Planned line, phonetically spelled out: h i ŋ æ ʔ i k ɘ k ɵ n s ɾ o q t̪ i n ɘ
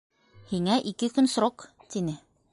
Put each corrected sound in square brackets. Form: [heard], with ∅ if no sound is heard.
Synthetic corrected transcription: h i ŋ æ ʔ i k ɘ k ɵ n s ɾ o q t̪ i n ɘ